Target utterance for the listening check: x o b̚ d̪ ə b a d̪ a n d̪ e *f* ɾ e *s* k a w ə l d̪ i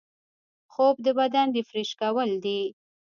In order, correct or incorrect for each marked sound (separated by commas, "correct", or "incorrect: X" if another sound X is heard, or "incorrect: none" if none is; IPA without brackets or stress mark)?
correct, incorrect: ʃ